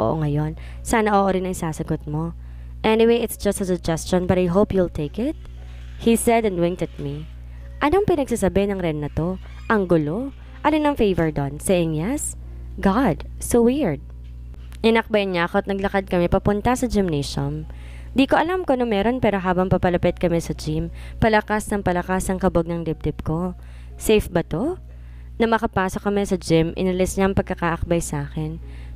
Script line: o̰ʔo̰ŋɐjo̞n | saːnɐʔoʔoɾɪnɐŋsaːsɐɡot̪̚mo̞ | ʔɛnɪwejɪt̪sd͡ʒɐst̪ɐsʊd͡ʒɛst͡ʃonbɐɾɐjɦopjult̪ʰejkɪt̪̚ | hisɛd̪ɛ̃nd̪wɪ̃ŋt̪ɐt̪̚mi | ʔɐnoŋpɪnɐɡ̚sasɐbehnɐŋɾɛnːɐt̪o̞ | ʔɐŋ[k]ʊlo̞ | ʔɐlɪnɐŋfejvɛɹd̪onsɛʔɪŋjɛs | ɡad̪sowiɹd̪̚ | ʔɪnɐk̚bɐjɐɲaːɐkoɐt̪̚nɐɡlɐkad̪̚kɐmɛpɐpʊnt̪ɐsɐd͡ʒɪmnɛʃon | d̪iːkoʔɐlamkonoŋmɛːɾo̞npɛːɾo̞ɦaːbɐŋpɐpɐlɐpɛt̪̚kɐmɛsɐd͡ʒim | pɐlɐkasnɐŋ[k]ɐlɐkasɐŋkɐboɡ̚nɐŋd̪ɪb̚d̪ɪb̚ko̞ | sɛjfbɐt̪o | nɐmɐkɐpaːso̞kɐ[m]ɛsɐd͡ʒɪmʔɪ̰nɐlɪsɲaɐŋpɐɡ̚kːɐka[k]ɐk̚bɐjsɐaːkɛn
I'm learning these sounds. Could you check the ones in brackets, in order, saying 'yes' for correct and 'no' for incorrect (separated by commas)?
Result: no, no, yes, no